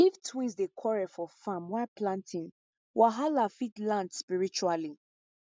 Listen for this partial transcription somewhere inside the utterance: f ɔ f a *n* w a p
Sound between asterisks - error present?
yes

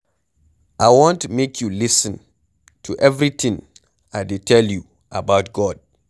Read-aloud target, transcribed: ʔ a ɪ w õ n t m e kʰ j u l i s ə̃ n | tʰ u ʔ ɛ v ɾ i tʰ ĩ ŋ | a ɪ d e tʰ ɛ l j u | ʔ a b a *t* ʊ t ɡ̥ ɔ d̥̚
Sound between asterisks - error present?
yes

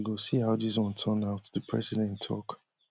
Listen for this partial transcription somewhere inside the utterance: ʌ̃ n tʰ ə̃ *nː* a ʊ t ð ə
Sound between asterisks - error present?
yes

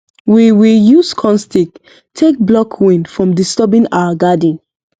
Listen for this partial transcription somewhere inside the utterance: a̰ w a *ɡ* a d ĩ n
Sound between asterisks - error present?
no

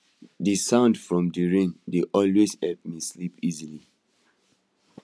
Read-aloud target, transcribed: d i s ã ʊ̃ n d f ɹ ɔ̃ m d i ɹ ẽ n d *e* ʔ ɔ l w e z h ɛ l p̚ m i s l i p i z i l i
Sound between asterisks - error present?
no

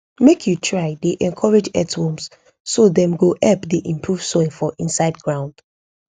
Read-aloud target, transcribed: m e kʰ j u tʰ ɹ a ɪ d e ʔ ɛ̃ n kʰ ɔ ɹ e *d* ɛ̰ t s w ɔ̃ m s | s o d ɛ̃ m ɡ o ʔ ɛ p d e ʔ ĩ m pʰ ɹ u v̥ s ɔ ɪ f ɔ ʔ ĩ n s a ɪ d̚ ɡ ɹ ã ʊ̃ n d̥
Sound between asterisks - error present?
yes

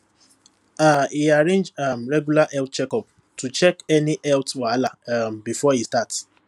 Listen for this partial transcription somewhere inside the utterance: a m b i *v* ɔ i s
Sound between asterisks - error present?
yes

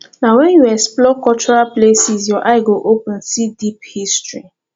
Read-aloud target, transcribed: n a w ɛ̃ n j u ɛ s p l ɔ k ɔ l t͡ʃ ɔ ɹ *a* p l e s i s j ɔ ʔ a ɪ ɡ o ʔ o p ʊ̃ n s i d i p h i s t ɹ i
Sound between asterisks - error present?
no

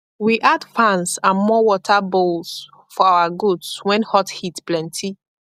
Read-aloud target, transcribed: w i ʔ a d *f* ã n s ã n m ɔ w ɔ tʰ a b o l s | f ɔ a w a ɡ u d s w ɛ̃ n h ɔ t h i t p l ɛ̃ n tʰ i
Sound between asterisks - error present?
no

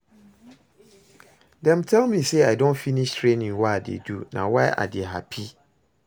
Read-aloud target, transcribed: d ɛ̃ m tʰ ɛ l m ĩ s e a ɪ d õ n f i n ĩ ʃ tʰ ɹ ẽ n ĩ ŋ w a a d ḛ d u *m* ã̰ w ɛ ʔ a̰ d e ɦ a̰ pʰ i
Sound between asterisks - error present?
yes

